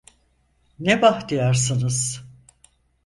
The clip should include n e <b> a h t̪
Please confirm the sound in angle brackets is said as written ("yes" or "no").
yes